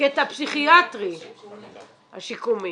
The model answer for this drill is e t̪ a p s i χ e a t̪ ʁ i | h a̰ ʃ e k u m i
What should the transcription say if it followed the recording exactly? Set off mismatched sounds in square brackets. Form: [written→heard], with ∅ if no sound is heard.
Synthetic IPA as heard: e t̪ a p s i χ [e→i] a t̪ ʁ i | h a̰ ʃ [e→i] k u m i